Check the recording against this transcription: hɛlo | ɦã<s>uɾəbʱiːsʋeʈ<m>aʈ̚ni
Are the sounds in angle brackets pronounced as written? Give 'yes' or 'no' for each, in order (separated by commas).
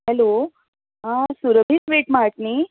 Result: yes, yes